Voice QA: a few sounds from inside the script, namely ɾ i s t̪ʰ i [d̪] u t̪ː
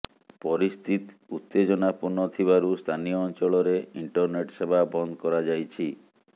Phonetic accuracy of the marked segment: incorrect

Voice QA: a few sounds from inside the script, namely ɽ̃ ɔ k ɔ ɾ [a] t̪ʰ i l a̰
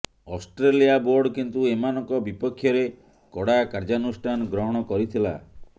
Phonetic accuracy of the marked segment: incorrect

